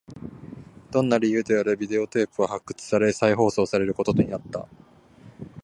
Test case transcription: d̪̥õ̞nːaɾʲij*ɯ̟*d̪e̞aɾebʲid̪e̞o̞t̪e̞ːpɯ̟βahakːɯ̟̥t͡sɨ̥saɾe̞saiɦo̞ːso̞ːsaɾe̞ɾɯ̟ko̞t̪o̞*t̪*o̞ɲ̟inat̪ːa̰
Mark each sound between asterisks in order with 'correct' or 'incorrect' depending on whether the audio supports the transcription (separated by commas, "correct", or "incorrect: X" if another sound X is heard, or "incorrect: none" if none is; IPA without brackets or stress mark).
incorrect: ɯ̟ː, correct